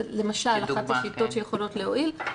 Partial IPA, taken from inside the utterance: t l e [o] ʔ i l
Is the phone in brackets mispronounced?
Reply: no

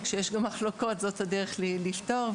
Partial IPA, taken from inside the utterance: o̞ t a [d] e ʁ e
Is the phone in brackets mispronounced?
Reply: no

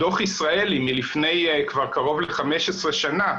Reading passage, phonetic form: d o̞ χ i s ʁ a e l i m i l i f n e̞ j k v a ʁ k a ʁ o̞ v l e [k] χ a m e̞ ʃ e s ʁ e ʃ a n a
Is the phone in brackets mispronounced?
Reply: yes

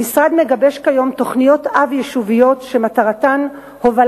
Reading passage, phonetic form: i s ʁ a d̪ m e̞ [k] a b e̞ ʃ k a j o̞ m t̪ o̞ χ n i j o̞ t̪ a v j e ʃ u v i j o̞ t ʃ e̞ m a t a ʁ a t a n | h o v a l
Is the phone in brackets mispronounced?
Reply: yes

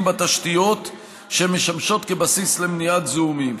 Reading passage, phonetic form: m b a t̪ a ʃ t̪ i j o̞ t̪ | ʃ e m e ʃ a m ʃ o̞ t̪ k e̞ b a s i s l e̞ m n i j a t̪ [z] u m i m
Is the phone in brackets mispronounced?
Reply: no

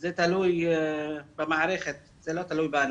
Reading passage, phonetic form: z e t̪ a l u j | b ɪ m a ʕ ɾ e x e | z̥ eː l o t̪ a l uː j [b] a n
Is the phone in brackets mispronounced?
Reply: no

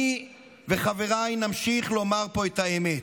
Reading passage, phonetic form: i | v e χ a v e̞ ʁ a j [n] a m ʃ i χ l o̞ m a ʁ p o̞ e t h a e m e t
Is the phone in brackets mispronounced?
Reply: no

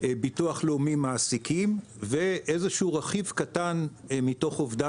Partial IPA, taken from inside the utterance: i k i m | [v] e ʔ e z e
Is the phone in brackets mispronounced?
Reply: no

